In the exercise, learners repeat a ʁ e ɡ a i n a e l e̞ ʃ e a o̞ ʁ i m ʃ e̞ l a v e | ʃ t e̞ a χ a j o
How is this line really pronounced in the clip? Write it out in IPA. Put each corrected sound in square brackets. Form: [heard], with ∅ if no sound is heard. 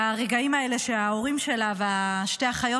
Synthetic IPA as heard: a ʁ e ɡ a i [m] a e l e̞ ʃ e a o̞ ʁ i m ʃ e̞ l a v [a] | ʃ t e̞ a χ a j o